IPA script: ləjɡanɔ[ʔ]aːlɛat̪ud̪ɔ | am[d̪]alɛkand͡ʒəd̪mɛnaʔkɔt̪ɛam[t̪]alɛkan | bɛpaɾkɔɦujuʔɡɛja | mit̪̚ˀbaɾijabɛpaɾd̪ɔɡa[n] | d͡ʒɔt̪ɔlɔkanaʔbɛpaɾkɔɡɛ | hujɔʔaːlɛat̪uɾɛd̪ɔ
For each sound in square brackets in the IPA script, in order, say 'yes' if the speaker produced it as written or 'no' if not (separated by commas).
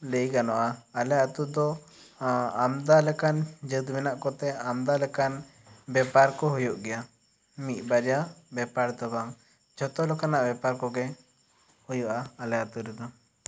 yes, yes, no, no